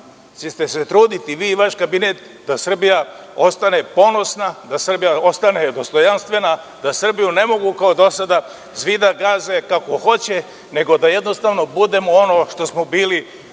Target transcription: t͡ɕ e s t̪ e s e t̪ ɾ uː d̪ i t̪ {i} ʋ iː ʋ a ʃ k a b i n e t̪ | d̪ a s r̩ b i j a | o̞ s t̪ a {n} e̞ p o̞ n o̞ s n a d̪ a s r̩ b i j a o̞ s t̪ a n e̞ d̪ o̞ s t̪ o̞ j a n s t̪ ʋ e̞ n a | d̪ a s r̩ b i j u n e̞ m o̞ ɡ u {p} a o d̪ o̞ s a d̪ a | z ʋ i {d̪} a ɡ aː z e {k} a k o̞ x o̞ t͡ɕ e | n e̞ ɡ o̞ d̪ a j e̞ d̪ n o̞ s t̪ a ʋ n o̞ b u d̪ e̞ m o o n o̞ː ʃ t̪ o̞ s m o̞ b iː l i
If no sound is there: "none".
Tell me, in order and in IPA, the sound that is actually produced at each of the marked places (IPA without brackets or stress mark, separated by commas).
i, n, k, d̪, k